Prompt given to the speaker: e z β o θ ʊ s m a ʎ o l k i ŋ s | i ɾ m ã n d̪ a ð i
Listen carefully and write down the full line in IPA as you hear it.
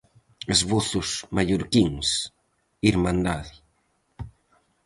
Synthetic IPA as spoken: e z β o θ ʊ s m a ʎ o ɾ k i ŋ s | i ɾ m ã n d̪ a ð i